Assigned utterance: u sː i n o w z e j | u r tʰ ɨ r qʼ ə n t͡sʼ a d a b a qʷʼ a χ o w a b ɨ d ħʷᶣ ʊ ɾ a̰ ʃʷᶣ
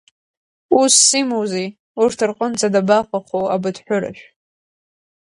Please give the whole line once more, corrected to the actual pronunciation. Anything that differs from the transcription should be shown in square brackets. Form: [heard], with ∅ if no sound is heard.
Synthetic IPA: u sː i [m] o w z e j | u r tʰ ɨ r qʼ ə n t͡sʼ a d a b a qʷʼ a χ o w a b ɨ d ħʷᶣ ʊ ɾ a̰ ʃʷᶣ